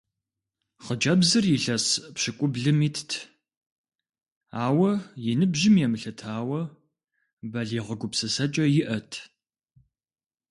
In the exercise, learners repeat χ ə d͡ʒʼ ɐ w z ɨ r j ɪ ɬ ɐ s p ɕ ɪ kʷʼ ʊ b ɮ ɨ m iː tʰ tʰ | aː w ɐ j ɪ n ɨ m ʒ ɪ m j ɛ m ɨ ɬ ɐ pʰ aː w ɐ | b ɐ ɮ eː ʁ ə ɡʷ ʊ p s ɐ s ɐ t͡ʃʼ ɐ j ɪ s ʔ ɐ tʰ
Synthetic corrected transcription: χ ə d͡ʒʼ ɐ b z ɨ r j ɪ ɬ ɐ s p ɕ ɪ kʷʼ ʊ b ɮ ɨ m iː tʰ tʰ | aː w ɐ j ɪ n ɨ b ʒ ɪ m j ɛ m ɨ ɬ ɐ tʰ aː w ɐ | b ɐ ɮ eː ʁ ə ɡʷ ʊ p s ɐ s ɐ t͡ʃʼ ɐ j ɪ ʔ ɐ tʰ